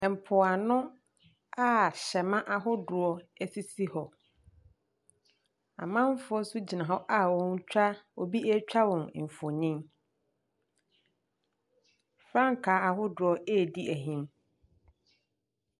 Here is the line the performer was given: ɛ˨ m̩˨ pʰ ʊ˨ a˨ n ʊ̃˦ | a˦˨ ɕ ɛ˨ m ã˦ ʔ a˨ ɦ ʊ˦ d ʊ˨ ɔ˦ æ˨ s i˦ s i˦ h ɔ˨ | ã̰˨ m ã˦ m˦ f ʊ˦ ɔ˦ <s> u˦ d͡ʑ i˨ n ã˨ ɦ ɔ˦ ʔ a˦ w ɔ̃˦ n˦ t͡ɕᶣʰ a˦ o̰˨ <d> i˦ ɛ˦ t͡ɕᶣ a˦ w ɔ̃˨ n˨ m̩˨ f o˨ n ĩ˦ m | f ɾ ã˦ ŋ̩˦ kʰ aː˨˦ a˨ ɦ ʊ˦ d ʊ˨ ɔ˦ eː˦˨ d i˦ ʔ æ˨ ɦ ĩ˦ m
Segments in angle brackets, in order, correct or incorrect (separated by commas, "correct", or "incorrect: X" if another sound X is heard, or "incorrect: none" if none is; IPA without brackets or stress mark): correct, incorrect: b